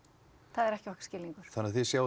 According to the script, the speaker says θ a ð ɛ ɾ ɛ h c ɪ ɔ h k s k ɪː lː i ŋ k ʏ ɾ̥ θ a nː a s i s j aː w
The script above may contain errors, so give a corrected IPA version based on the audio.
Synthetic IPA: θ a ð ɛ ɾ ɛ h c ɪ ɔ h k s c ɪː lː i ŋ k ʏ ɾ̥ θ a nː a θ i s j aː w